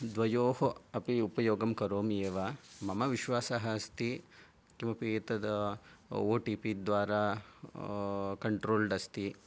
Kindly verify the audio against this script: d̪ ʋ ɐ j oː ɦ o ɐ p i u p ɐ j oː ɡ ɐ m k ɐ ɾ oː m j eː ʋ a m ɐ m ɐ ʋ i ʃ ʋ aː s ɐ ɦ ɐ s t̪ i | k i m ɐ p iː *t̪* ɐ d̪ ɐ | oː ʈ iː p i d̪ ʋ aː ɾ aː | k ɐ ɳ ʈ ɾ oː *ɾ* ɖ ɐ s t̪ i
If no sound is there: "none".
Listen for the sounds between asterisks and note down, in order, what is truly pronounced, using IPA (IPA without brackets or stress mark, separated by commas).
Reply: t̪, l